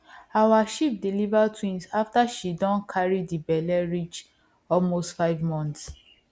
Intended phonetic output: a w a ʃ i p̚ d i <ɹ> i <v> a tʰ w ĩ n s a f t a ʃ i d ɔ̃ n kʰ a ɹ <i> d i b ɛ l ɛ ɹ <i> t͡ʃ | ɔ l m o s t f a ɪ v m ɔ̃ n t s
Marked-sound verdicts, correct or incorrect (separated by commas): incorrect, correct, correct, correct